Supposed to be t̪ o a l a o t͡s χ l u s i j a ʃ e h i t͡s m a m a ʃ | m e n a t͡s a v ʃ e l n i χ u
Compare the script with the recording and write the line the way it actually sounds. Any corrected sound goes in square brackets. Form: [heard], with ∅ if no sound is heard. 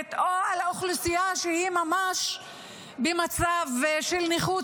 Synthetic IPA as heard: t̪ o a l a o [∅] χ l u s i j a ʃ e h i [∅] m a m a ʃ | [b] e [m] a t͡s a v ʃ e l n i χ u